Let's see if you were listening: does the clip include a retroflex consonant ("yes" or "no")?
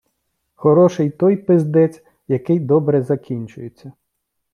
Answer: no